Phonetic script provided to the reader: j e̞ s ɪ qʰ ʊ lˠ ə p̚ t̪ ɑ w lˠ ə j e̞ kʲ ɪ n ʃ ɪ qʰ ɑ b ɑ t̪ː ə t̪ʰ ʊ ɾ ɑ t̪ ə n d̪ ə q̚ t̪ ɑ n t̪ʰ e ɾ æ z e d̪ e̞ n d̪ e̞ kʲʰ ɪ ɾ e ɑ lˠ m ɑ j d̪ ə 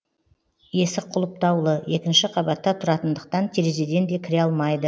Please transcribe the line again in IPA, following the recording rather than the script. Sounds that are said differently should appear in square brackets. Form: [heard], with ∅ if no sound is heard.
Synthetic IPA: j e̞ s ɪ qʰ ʊ lˠ ə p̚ t̪ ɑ w lˠ ə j e̞ kʲ ɪ n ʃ ɪ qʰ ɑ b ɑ t̪ː [ɑ] t̪ʰ ʊ ɾ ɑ t̪ ə n d̪ ə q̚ t̪ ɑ n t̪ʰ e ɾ [e] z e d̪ e̞ n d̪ e̞ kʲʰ ɪ ɾ e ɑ lˠ m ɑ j d̪ ə